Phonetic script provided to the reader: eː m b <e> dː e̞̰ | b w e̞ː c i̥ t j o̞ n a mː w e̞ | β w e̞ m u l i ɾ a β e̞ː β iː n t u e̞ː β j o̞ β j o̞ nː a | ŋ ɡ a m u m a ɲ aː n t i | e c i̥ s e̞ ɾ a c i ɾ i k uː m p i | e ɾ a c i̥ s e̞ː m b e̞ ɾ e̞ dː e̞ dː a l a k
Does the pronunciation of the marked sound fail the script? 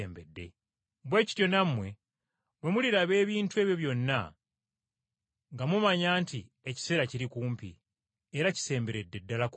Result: no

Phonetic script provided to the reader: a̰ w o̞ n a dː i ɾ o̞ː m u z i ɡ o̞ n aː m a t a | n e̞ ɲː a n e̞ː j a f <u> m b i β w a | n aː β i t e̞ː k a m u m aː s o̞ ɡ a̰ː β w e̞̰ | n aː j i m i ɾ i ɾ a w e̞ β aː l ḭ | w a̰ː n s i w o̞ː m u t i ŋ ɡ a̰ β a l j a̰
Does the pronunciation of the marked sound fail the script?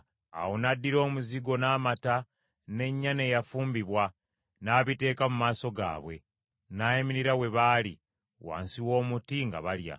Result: yes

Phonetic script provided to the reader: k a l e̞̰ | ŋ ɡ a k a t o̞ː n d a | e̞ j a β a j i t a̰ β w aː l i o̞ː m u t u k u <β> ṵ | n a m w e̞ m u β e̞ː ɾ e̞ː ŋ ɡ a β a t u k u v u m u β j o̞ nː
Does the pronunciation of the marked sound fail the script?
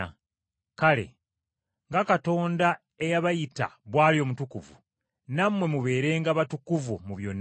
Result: yes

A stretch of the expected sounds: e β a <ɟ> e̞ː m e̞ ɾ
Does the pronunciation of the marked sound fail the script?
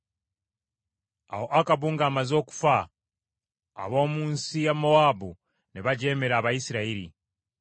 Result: no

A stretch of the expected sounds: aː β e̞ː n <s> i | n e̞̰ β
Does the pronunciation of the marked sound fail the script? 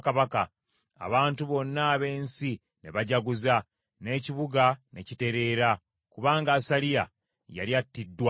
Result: no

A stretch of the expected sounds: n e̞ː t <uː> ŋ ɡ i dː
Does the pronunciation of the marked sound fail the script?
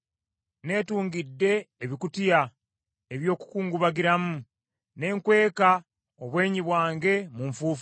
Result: no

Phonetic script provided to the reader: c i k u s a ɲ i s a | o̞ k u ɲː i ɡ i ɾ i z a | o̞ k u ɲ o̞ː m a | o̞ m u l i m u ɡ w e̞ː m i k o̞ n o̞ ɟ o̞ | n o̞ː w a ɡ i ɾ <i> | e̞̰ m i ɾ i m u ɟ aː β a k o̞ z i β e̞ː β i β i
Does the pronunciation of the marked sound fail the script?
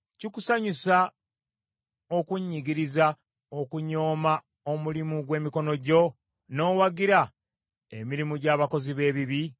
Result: yes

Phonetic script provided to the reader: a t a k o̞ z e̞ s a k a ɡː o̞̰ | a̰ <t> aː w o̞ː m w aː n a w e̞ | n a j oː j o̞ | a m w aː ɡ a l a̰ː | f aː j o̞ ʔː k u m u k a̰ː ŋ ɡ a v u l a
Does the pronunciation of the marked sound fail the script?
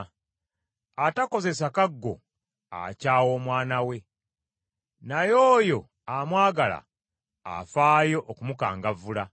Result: yes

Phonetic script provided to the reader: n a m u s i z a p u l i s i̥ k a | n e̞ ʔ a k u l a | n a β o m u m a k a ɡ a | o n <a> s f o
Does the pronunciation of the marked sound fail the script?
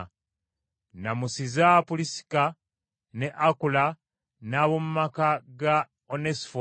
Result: yes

